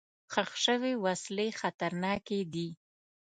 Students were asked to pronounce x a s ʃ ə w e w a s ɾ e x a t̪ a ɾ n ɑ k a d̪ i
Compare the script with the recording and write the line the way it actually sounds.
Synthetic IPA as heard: x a x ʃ ə w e w a s l e x a t̪ a ɾ n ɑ k e d̪ i